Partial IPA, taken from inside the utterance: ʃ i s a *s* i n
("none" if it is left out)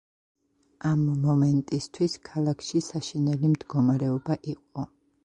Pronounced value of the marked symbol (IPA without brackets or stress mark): ʃ